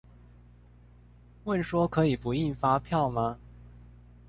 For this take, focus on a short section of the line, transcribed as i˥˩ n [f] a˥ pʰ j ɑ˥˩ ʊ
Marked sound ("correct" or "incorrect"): correct